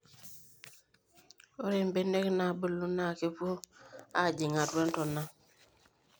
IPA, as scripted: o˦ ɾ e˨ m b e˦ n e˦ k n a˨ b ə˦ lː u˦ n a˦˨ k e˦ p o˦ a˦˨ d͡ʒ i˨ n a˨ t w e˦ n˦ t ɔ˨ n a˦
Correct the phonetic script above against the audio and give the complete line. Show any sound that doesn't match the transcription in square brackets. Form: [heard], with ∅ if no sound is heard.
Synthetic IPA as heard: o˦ ɾ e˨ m b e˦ n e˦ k n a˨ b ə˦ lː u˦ n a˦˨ k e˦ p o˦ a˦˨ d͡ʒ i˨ [ŋ] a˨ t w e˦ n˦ t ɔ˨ n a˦